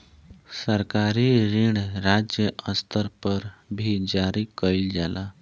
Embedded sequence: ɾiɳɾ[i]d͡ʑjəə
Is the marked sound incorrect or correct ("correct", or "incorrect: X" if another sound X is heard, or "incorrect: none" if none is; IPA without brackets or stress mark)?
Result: incorrect: a